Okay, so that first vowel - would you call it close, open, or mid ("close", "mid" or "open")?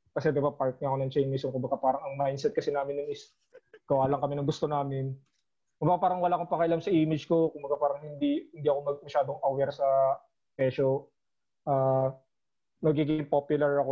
open